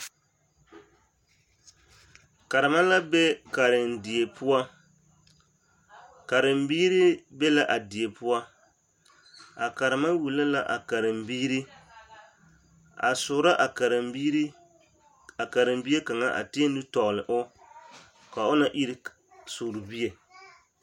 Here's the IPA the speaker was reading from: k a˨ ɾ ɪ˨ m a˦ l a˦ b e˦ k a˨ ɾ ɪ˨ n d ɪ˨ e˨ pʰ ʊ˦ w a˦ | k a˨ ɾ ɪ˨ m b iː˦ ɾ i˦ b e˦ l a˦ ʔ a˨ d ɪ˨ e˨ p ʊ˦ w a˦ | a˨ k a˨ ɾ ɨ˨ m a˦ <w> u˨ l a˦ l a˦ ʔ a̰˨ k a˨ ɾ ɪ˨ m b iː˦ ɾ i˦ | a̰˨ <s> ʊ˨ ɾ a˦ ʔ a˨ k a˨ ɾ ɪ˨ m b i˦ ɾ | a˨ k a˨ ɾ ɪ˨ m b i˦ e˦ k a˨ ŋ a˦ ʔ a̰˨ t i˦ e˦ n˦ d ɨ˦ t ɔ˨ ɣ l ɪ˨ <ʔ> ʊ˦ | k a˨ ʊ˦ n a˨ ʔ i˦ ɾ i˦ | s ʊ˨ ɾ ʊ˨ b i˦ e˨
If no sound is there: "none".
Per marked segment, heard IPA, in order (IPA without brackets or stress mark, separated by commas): w, s, ʔ